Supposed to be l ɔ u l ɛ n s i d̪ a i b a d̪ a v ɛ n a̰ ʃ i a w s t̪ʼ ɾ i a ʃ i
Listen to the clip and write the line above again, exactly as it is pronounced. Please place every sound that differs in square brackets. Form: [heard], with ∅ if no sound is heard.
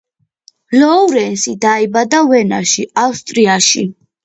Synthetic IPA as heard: l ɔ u [ɾ] ɛ n s i d̪ a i b a d̪ a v ɛ n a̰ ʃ i a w s t̪ʼ ɾ i a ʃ i